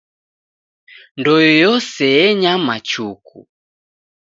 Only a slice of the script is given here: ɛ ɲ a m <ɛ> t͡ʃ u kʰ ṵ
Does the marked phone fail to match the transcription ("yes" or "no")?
yes